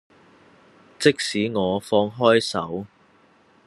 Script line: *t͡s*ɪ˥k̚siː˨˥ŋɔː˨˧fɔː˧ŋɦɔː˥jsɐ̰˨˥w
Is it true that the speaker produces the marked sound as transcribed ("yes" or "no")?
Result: yes